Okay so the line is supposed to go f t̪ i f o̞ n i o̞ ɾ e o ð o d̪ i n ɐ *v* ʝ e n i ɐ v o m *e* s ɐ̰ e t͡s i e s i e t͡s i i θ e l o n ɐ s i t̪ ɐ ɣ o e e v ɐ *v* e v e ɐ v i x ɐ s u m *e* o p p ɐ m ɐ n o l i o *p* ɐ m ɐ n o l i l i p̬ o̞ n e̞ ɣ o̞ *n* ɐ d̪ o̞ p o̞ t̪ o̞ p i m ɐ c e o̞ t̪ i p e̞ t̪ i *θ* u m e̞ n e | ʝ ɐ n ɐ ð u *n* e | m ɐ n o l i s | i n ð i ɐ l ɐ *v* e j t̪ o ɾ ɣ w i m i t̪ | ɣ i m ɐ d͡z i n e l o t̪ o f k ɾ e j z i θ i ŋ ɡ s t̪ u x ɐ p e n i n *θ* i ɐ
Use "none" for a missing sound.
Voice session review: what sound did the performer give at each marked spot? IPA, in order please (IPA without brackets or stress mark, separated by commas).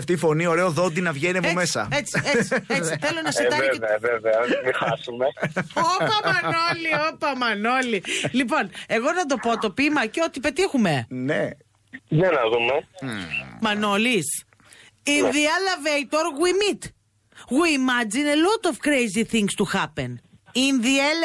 v, e, v, e, p, n, x, m, v, ð